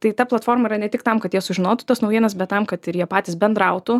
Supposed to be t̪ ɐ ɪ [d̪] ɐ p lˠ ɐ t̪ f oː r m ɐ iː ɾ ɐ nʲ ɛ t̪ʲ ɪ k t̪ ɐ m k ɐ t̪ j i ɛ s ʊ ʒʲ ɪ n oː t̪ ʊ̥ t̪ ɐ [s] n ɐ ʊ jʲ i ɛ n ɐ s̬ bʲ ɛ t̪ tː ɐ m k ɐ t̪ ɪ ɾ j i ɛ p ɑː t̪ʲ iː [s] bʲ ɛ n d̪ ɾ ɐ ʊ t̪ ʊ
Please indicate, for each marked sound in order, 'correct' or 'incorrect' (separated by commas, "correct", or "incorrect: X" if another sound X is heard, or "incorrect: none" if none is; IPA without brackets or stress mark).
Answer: incorrect: t̪, correct, correct